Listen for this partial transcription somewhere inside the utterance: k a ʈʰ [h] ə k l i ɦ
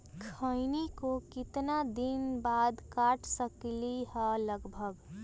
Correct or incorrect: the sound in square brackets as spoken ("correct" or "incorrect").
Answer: incorrect